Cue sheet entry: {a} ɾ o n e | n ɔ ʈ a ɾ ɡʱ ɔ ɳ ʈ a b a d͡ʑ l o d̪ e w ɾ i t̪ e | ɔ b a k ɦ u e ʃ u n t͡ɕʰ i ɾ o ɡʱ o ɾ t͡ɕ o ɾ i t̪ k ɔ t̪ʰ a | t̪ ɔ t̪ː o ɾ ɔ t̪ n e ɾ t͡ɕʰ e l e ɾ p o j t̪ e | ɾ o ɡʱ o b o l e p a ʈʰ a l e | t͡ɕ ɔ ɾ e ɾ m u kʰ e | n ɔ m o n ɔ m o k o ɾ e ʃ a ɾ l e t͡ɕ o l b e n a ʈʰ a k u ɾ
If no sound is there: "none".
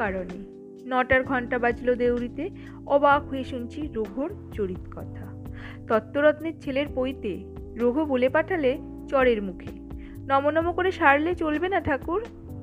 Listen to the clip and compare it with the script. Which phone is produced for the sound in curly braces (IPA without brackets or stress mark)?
a